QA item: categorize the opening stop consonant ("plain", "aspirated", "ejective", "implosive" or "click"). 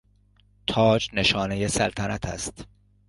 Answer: aspirated